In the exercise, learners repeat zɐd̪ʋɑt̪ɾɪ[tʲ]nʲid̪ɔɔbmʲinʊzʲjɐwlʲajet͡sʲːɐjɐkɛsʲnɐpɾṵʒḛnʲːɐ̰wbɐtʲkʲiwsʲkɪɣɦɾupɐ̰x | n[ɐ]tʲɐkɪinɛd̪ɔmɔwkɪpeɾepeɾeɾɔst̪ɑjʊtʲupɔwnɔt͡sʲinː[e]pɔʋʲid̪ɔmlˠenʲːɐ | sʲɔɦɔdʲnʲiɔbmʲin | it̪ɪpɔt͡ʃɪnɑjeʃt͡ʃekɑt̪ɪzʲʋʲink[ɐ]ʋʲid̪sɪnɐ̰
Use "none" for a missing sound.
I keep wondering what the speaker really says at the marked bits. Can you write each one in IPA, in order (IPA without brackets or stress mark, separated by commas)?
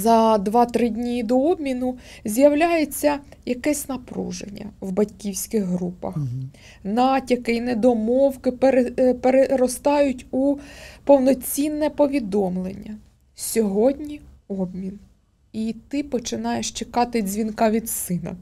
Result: dʲ, ɑ, ɛ, ɑ